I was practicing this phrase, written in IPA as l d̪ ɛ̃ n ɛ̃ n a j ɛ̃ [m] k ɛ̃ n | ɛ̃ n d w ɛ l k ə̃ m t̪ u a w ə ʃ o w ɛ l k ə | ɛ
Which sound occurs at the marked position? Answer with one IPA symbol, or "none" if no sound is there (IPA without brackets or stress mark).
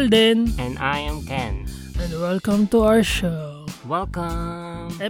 m